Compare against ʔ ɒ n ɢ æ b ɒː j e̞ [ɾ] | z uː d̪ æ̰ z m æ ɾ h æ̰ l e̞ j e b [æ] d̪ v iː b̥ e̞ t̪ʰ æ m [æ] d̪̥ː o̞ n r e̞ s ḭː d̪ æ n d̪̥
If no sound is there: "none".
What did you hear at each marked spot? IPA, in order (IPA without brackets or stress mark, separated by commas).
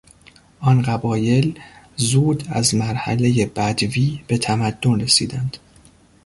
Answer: l, æ, æ